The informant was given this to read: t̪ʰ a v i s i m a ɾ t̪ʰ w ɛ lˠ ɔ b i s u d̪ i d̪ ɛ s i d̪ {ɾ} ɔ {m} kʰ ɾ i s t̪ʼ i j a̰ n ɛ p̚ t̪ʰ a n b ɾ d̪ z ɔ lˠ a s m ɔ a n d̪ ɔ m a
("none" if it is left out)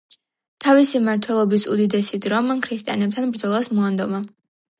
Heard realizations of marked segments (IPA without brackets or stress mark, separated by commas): ɾ, m